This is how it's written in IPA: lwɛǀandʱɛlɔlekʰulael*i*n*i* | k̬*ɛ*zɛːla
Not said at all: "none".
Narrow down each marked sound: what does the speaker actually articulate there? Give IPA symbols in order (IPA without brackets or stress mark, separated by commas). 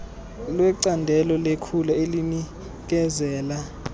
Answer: i, i, ɛ